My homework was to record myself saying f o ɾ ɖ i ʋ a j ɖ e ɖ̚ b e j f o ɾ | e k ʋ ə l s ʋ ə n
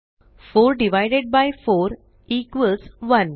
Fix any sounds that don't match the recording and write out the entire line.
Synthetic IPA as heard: f o ɾ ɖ i ʋ a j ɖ e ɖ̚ b a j f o ɾ | i k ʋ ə l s ʋ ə n